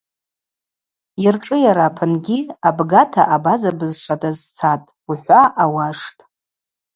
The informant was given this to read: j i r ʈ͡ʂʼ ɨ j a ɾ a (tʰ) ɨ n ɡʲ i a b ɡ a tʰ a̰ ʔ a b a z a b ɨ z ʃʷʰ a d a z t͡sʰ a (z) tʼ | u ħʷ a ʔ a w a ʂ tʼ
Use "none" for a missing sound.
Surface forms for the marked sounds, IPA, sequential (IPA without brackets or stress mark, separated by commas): pʰ, none